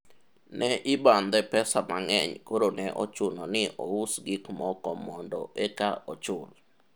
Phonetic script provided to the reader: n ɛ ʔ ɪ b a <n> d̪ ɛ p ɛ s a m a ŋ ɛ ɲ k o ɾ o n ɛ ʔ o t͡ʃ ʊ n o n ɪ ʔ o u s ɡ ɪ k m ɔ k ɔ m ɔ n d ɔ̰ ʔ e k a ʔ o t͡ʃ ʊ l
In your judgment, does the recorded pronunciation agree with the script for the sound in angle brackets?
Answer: yes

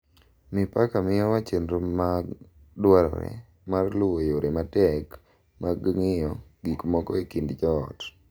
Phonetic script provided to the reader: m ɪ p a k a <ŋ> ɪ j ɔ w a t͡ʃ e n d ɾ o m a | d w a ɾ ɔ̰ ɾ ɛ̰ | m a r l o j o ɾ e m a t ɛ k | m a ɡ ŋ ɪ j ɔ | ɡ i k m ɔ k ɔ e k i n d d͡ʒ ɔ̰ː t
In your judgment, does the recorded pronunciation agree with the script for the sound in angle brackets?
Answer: no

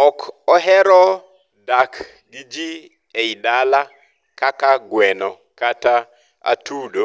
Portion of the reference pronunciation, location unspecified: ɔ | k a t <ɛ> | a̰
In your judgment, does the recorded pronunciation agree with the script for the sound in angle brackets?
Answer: no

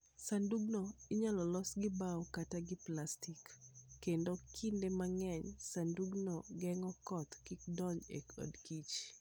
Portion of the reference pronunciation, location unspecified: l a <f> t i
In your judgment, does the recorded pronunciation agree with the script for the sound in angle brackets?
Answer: no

